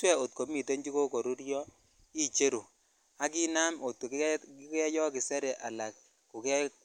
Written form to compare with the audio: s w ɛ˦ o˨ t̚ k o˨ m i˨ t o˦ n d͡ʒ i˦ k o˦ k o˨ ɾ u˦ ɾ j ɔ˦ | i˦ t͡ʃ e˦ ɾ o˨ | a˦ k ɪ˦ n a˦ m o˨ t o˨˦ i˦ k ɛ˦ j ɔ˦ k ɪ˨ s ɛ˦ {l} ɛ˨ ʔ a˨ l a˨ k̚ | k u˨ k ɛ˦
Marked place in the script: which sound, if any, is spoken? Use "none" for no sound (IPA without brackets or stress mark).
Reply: ɾ